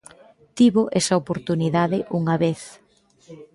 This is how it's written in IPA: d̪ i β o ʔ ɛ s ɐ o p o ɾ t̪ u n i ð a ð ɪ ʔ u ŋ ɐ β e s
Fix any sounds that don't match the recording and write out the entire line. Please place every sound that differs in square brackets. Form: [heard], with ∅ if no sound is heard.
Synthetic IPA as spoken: [t̪] i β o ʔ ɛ s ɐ o p o ɾ t̪ u n i ð a ð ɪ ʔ u ŋ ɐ β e [θ]